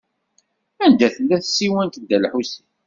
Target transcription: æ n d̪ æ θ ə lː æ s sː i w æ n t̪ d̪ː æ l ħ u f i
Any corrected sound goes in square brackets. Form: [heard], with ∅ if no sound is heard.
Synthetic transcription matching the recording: æ n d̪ æ θ ə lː æ [θ] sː i w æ n t̪ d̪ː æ l ħ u [s] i